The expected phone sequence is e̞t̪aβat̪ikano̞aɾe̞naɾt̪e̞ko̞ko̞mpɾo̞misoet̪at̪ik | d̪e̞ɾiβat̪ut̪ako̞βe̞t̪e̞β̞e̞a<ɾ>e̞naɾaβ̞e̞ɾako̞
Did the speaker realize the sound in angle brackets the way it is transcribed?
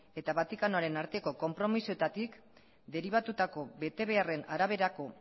no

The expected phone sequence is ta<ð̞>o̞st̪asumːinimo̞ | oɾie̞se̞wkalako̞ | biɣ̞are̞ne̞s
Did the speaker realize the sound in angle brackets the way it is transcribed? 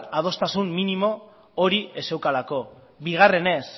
yes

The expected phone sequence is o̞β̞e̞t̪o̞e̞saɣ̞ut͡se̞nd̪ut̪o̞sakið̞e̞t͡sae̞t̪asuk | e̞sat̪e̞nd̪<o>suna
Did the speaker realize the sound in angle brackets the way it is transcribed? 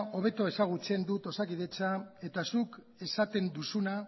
no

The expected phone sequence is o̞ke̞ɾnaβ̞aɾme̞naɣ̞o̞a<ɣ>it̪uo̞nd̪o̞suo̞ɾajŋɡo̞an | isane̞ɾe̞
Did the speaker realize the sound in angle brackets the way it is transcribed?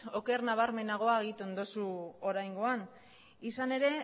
yes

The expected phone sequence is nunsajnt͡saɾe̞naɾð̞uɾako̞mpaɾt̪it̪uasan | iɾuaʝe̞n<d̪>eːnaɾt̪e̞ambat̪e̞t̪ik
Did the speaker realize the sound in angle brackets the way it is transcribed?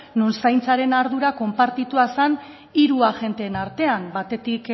no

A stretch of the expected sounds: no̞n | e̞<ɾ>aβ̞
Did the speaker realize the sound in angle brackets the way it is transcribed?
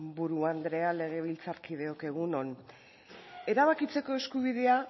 yes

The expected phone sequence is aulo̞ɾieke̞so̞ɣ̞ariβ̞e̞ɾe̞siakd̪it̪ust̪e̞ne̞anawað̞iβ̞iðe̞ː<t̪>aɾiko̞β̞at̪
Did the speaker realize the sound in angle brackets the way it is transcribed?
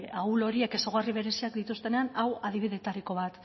yes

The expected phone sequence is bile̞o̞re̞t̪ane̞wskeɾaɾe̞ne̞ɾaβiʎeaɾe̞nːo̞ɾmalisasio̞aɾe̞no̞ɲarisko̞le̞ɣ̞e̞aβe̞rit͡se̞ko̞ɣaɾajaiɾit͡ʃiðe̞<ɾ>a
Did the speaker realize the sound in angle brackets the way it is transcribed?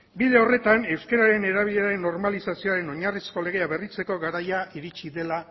no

